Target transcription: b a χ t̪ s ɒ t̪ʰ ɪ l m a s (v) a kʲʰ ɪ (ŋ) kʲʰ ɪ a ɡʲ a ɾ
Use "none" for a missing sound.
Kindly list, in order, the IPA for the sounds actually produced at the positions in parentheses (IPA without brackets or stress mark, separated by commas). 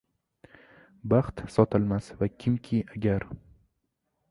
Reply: v, m